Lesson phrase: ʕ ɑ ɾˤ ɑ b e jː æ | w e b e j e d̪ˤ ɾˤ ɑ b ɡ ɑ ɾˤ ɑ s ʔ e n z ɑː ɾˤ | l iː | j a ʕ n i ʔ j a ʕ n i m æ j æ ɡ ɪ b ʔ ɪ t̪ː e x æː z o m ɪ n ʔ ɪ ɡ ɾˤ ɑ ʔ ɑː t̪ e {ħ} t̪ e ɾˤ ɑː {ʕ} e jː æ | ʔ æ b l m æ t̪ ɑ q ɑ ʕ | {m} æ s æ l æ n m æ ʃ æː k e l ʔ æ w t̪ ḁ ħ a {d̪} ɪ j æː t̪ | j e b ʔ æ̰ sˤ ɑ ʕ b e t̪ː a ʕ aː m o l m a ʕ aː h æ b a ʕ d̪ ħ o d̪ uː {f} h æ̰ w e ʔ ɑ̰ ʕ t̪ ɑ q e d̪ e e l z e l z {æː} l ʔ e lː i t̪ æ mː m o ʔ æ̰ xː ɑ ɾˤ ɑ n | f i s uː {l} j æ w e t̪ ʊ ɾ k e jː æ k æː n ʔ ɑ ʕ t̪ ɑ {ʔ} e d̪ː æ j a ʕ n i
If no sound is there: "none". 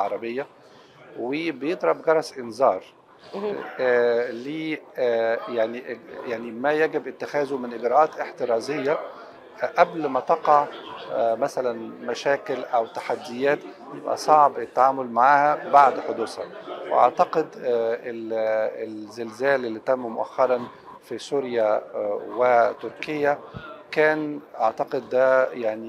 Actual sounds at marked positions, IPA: ħ, z, m, d̪ː, s, æː, ɾ, q

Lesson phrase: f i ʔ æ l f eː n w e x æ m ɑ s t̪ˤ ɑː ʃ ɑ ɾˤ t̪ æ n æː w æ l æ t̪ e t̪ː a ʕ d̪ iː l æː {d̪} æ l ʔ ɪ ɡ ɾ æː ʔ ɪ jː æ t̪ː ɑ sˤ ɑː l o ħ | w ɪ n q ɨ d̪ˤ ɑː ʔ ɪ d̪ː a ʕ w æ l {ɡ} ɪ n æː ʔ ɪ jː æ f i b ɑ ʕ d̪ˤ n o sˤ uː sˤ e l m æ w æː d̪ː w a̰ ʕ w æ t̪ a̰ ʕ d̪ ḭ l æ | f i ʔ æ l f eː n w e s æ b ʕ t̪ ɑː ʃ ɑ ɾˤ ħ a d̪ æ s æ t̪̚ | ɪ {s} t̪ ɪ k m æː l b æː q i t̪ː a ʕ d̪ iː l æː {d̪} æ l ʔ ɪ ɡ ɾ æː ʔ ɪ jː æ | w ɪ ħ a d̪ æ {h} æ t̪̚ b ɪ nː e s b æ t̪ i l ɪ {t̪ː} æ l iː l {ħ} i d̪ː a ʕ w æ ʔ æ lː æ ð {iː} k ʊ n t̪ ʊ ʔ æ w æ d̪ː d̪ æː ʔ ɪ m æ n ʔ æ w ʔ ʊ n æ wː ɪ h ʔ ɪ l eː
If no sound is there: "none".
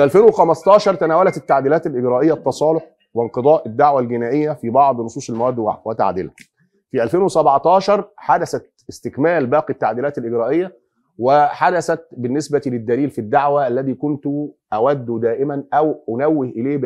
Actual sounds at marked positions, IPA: t̪, ɡ, s, t̪, s, d̪ː, f, iː

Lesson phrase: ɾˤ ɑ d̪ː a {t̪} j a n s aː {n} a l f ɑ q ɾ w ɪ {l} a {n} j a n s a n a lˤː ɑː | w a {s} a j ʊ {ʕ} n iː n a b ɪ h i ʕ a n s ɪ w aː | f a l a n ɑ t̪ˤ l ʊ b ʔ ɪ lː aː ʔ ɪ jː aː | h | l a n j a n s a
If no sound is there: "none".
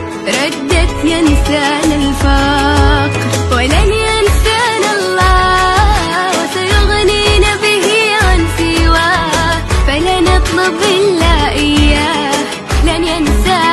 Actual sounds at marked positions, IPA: t̪, n, l, n, s, ɣ

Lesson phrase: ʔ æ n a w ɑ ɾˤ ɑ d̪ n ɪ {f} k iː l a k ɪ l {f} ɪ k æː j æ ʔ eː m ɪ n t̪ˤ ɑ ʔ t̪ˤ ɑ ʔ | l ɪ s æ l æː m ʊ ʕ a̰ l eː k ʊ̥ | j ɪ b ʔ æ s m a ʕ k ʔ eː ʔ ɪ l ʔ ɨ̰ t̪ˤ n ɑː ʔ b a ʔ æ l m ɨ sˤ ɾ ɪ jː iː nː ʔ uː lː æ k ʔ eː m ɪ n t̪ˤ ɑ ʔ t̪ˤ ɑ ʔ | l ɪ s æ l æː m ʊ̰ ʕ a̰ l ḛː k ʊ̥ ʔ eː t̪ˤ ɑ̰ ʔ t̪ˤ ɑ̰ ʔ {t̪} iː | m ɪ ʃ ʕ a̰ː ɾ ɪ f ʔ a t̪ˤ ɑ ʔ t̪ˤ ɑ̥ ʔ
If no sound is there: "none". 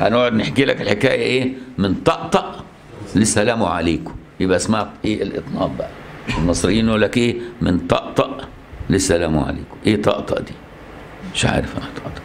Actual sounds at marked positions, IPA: ħ, ħ, d̪

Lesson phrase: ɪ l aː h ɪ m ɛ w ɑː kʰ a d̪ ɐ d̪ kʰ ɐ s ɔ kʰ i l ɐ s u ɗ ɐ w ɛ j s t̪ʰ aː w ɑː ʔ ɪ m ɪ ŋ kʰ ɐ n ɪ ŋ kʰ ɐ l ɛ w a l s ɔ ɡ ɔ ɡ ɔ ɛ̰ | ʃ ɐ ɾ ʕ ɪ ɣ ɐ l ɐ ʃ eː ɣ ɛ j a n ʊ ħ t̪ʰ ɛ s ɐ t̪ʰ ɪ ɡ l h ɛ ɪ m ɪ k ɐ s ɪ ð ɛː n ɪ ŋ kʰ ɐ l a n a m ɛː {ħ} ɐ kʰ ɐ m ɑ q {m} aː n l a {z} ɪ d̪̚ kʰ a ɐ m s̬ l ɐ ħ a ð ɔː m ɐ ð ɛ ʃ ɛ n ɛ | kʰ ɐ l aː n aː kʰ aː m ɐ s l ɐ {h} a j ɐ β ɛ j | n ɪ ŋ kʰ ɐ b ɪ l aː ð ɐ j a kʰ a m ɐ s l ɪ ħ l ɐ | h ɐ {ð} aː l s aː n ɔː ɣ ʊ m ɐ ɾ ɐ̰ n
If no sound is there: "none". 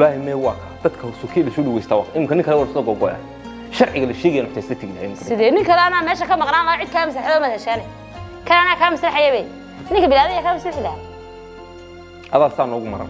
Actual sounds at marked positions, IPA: ʃ, n, ʕ, ħ, ð

